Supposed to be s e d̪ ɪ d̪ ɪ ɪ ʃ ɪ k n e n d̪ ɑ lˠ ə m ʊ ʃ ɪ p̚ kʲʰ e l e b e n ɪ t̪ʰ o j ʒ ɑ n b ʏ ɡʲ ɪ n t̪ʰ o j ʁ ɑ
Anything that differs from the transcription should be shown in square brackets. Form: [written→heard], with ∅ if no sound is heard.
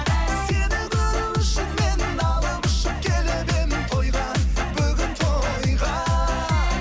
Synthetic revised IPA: s e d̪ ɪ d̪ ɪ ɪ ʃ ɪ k [n→m] e n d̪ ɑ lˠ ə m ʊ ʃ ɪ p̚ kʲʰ e l e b e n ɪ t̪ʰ o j [ʒ→ʁ] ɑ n b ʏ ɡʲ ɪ n t̪ʰ o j ʁ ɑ